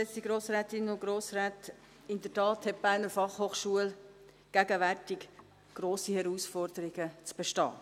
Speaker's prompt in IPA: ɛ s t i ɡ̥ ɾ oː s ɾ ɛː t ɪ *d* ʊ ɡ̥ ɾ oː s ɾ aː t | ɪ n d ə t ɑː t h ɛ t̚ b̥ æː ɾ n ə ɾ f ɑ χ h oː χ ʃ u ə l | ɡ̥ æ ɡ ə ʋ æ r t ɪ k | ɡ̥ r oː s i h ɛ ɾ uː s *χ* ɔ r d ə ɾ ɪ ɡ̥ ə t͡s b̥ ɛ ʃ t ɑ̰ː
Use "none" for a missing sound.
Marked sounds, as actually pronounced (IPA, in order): n, f

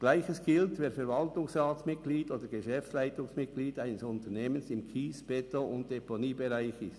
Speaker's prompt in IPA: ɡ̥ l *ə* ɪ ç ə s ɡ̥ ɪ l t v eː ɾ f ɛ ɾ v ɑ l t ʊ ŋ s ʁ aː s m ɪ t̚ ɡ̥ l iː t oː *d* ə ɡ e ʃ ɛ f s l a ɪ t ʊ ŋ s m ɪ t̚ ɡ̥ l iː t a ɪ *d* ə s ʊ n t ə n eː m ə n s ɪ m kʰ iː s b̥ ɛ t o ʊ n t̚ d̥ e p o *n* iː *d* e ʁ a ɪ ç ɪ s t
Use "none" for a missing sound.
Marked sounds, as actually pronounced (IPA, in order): a, d, n, n, b

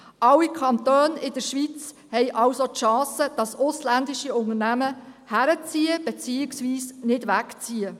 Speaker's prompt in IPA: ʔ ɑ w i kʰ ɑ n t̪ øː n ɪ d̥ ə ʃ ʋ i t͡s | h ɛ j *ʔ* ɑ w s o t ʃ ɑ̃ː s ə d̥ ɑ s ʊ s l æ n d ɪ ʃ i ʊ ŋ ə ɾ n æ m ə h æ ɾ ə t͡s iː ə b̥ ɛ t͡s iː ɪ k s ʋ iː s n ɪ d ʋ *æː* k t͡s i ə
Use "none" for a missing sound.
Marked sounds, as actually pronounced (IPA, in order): ʔ, æ

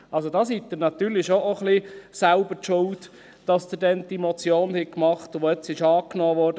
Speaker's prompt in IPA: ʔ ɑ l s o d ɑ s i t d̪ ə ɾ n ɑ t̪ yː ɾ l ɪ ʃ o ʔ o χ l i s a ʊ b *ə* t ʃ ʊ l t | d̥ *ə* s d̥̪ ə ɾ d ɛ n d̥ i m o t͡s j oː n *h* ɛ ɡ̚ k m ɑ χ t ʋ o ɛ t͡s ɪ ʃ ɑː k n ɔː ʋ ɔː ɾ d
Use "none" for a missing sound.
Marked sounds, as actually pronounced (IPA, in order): ə, ɑ, h

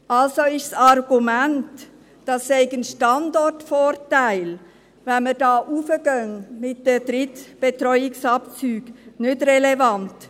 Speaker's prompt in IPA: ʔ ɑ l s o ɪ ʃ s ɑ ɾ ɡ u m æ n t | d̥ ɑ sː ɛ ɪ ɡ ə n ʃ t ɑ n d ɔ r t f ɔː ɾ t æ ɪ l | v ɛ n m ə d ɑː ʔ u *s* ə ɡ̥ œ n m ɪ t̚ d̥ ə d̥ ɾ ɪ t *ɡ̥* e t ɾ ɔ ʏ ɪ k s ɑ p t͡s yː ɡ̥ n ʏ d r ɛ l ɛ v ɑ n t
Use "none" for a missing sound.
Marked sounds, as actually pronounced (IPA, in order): f, b̥

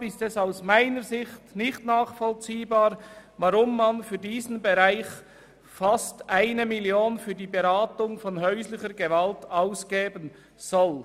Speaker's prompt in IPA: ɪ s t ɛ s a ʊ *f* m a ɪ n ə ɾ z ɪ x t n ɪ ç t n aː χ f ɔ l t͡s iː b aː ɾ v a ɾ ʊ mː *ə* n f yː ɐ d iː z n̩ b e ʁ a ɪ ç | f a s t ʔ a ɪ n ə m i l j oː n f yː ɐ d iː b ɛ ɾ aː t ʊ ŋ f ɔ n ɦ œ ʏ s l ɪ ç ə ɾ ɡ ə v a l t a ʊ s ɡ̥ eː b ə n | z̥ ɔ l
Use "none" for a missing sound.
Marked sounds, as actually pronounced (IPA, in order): s, a

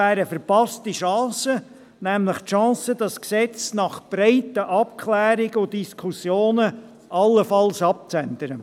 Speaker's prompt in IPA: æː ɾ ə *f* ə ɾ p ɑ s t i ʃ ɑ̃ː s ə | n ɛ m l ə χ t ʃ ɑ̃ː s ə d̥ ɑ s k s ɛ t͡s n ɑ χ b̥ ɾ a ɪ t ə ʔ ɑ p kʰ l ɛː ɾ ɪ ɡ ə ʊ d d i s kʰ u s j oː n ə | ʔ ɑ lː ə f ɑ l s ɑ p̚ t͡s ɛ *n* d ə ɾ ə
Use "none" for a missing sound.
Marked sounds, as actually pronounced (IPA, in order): f, n

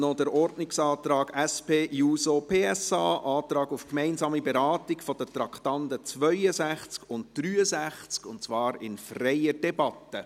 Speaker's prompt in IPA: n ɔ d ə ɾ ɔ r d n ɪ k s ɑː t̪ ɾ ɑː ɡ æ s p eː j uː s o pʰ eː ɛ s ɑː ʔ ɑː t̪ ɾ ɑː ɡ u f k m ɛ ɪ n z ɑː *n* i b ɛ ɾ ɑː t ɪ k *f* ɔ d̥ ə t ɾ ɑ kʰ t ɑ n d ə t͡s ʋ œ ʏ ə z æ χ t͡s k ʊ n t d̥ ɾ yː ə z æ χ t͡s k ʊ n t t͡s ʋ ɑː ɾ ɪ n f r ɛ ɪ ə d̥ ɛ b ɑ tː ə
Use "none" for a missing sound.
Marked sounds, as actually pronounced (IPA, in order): m, f

